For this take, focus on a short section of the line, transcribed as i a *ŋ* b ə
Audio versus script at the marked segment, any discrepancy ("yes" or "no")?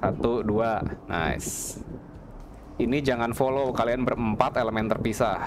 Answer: yes